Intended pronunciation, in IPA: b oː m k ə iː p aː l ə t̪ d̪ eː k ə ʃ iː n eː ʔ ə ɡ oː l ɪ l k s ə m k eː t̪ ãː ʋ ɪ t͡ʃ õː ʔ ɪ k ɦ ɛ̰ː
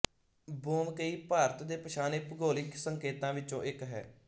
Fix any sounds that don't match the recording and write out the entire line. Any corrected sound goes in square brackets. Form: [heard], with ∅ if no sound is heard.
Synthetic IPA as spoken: b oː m k ə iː p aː [ɾ] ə t̪ d̪ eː [p] ə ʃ [aː] n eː [p] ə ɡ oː l ɪ [∅] k s ə [ŋ] k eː t̪ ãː ʋ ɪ t͡ʃ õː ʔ ɪ k ɦ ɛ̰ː